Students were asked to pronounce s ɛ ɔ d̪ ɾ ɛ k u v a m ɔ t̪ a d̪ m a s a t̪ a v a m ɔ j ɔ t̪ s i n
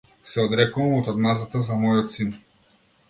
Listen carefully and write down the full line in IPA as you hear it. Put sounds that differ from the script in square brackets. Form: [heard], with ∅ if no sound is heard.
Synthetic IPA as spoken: s ɛ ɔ d̪ ɾ ɛ k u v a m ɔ t̪ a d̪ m a [z] a t̪ a [z] a m ɔ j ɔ t̪ s i n